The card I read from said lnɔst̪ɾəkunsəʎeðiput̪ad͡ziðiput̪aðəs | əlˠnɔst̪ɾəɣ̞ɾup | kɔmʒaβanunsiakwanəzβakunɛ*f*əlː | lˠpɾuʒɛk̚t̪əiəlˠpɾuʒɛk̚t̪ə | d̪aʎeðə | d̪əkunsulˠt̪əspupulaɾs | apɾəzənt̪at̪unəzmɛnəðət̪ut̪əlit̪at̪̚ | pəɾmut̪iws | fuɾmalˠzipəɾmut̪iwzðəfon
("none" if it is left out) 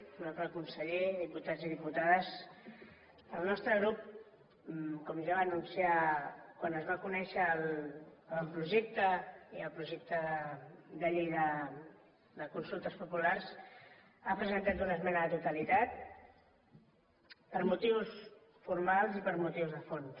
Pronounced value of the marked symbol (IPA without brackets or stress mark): ʃ